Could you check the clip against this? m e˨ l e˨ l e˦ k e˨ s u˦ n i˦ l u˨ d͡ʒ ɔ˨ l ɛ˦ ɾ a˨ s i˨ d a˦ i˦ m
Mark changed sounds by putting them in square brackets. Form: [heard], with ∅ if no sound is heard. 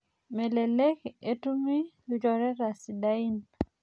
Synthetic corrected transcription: m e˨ l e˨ l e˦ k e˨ [t] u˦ [m] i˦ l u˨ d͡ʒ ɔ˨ [ɾ] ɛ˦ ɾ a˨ s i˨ d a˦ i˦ [n]